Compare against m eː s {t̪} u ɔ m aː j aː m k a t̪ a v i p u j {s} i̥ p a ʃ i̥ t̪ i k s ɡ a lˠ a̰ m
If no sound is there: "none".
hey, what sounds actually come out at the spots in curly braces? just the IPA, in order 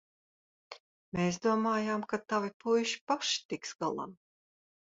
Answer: d̪, ʃ

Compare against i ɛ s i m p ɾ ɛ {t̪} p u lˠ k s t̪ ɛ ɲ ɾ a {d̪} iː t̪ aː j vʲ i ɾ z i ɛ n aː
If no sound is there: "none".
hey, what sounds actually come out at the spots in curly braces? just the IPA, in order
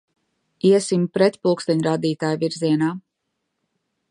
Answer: t̪, d̪

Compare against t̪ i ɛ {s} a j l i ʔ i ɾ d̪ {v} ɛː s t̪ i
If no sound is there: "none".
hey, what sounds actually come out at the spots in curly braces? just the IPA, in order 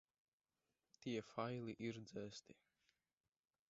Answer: f, z

